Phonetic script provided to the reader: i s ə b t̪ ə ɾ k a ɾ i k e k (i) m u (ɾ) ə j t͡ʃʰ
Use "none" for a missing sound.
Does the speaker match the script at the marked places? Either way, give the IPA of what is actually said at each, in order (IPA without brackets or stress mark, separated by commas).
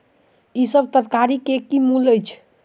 i, l